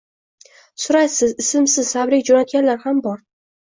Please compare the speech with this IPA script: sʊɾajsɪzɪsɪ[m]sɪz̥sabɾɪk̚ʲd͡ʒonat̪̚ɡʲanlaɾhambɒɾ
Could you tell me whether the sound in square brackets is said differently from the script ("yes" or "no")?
no